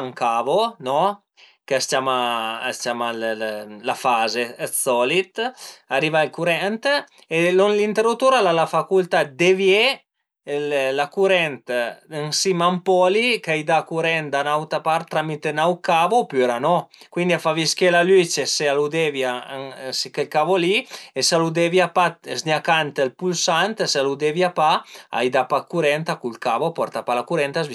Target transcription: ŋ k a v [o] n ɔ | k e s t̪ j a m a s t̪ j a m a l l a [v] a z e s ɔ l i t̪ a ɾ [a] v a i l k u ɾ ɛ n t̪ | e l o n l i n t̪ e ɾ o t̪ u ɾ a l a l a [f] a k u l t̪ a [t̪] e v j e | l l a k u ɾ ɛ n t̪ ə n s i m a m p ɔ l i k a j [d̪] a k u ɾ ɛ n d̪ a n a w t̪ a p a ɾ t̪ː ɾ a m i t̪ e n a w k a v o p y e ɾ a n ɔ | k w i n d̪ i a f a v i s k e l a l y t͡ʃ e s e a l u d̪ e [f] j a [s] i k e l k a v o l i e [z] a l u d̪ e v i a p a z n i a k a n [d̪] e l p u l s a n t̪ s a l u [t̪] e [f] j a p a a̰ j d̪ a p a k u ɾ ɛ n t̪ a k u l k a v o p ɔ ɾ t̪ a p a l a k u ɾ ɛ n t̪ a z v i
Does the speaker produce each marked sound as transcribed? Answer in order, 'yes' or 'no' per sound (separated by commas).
yes, no, no, yes, no, yes, no, yes, no, no, no, no